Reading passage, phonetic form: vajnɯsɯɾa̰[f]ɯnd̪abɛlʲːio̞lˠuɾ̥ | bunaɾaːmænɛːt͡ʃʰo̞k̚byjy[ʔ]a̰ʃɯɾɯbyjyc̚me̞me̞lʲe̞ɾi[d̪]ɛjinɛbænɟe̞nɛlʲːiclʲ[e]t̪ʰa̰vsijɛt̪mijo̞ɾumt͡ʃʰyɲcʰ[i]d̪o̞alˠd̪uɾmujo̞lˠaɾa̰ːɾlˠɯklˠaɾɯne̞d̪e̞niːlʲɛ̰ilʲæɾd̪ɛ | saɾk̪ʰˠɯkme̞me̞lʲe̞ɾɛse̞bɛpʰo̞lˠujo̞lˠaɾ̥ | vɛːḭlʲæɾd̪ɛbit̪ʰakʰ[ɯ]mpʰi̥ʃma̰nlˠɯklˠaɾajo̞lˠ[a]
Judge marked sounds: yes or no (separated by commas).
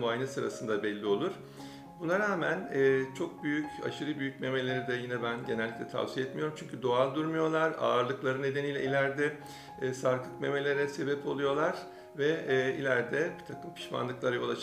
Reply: no, no, yes, no, no, yes, yes